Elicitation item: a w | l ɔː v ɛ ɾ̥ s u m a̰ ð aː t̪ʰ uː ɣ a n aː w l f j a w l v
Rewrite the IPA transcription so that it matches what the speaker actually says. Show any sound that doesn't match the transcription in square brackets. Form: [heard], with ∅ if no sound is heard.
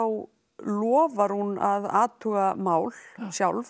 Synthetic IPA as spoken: a w | l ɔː v [a] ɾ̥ [h] u [n] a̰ ð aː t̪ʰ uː ɣ a [m] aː w l [s] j a w l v